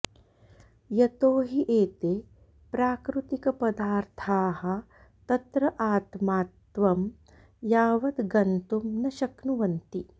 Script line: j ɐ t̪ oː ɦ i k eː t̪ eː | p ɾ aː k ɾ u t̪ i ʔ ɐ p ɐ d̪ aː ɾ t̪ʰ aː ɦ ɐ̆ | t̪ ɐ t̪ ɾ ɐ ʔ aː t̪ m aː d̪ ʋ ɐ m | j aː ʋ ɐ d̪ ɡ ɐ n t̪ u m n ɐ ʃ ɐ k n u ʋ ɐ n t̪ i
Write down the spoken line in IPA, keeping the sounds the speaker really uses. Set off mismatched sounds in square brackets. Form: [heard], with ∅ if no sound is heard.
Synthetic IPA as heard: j ɐ t̪ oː ɦ i [ʔ] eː t̪ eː | p ɾ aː k ɾ u t̪ i [k] ɐ p ɐ d̪ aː ɾ t̪ʰ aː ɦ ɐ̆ | t̪ ɐ t̪ ɾ ɐ ʔ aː t̪ m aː [t̪] ʋ ɐ m | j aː ʋ ɐ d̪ ɡ ɐ n t̪ u m n ɐ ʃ ɐ k n u ʋ ɐ n t̪ i